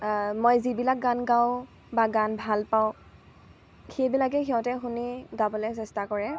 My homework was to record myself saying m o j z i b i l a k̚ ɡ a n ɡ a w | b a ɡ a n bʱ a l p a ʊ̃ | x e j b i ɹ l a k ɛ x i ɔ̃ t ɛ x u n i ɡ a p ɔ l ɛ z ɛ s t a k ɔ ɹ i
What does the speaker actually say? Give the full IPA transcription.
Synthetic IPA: m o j z i b i l a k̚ ɡ a n ɡ a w | b a ɡ a n bʱ a l p a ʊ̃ | x e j b i l a k ɛ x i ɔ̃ t ɛ x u n i ɡ a b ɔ l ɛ s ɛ s t a k ɔ ɹ ɛ